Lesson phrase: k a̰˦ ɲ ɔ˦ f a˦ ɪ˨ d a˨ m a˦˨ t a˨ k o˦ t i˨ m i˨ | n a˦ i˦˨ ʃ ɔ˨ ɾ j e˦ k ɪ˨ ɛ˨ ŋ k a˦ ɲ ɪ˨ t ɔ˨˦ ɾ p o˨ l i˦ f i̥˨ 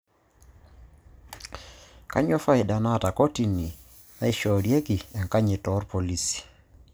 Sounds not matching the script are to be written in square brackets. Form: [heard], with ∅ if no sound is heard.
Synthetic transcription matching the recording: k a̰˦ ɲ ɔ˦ f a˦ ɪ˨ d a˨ [n] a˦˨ t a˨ k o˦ t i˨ [n] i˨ | n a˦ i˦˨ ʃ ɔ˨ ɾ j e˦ k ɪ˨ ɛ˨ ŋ k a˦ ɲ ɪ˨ t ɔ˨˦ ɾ p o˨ l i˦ [s] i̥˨

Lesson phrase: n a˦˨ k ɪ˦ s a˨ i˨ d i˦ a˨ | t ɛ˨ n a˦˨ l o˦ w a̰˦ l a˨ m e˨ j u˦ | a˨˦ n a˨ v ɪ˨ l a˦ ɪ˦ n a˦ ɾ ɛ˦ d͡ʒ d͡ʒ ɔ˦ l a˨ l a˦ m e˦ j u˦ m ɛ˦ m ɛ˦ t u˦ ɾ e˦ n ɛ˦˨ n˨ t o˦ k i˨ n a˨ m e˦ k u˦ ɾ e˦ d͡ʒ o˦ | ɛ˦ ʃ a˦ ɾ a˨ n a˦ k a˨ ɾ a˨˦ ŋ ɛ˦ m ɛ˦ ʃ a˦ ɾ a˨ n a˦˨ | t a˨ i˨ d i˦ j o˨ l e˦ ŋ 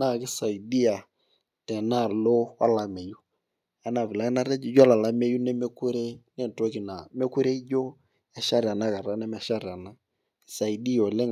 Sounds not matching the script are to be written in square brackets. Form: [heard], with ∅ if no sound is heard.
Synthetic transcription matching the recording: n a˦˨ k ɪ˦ s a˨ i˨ d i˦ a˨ | t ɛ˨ n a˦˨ l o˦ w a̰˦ l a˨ m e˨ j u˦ | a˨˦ n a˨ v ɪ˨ l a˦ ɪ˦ n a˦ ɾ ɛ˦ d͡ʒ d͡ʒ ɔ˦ l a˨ l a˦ m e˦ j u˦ [n] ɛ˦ m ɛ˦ [k] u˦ ɾ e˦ n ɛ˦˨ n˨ t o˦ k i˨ n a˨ m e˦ k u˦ ɾ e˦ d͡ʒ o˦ | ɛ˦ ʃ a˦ ɾ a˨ n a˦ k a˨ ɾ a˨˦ [n] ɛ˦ m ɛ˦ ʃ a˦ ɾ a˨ n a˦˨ | [s] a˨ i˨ d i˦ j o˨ l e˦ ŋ

